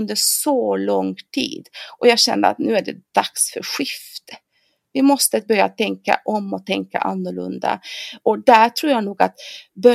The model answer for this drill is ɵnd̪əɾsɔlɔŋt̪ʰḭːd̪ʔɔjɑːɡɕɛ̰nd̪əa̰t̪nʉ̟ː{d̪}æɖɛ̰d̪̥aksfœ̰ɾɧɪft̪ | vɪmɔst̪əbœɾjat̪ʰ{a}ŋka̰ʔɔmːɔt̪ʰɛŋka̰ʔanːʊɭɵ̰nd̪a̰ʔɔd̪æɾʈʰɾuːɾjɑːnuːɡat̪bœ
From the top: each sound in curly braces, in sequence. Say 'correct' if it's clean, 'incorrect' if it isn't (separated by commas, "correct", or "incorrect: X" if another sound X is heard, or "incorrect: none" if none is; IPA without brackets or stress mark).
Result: incorrect: none, incorrect: ɛ